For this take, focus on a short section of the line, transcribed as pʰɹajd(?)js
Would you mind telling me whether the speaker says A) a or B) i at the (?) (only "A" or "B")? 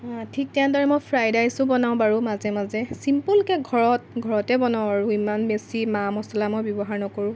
A